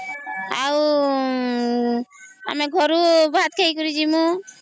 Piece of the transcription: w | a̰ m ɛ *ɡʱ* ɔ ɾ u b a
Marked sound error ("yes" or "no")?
no